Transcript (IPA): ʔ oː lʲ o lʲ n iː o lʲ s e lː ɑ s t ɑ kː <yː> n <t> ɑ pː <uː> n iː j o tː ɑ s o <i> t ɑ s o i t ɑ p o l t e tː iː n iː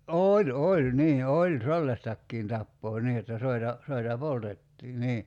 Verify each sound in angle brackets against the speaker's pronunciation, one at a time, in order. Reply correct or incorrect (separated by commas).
incorrect, correct, incorrect, correct